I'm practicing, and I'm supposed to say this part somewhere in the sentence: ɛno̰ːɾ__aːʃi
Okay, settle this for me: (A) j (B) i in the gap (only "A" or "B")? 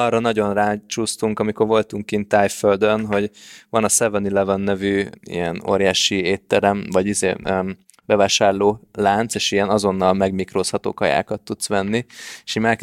A